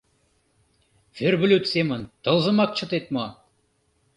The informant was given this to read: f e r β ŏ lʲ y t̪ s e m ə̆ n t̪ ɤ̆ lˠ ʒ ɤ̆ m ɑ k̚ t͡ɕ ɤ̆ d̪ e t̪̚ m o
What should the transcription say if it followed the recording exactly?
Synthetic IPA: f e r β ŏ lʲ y t̪ s e m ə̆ n t̪ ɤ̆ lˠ z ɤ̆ m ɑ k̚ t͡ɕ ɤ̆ t̪ e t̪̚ m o